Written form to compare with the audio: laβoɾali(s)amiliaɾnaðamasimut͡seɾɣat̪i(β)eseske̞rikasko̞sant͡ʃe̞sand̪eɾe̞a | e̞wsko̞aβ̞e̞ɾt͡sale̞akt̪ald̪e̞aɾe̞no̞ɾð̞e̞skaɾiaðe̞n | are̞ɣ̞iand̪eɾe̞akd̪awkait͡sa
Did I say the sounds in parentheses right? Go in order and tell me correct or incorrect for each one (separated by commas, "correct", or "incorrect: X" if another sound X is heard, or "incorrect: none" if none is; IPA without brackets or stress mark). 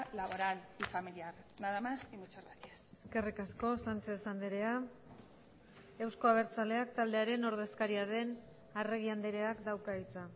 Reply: incorrect: f, incorrect: none